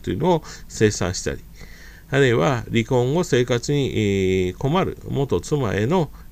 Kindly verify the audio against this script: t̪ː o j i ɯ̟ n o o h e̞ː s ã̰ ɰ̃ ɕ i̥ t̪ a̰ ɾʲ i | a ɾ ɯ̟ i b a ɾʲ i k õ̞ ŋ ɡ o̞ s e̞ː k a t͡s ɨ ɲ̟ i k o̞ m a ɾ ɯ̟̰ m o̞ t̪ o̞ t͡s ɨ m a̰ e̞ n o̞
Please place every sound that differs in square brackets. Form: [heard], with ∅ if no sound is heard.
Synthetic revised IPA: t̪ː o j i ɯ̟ n o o [s] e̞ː s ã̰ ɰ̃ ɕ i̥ t̪ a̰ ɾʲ i | a ɾ ɯ̟ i [β] a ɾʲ i k õ̞ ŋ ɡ o̞ s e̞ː k a t͡s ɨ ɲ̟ i k o̞ m a ɾ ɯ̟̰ m o̞ t̪ o̞ t͡s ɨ m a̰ e̞ n o̞